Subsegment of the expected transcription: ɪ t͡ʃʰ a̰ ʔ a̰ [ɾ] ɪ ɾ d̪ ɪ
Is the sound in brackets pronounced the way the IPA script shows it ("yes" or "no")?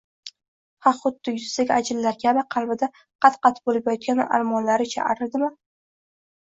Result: yes